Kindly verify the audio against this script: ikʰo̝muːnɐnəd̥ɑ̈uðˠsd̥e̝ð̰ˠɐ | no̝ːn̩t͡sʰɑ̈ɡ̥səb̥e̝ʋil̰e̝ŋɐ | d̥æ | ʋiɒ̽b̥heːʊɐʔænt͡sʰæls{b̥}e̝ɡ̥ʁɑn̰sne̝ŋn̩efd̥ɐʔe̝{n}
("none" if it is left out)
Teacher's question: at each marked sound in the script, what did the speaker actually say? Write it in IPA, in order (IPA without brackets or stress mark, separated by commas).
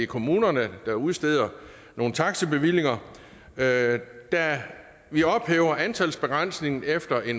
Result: b̥, n